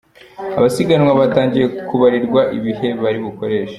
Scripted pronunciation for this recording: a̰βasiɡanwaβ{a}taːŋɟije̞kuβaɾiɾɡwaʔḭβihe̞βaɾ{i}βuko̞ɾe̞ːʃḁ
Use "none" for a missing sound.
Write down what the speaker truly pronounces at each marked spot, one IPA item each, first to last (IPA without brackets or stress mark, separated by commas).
a, i